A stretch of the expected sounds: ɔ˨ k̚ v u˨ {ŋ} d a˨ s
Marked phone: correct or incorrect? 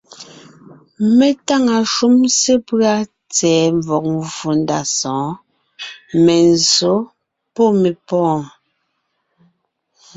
incorrect